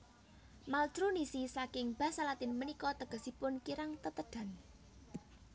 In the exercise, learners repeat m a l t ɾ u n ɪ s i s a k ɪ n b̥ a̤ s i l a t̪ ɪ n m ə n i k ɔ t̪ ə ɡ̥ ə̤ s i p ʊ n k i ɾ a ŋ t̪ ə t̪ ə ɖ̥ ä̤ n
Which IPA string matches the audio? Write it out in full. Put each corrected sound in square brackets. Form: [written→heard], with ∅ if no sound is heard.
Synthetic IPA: m a l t ɾ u n [ɪ→i] s i s a k ɪ [n→ŋ] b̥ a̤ s [i→a] l a t̪ ɪ n m ə n i k ɔ t̪ ə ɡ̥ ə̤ s i p ʊ n k i ɾ a ŋ t̪ ə t̪ ə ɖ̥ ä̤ n